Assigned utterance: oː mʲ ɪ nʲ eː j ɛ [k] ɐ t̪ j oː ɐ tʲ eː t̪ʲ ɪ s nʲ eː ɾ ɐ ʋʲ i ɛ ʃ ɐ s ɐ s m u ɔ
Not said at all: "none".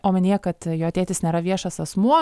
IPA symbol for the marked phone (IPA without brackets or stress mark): k